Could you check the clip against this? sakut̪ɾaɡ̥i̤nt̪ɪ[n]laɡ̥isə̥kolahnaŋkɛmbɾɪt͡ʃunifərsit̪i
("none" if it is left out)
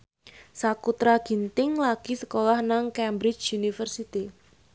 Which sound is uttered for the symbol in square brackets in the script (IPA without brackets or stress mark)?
ŋ